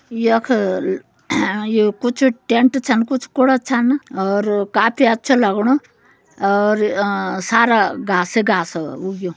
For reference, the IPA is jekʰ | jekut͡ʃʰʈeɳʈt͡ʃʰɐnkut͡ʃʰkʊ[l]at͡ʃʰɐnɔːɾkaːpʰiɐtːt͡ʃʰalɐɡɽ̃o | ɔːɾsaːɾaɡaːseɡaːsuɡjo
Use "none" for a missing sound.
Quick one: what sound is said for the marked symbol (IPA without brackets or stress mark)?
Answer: ɽ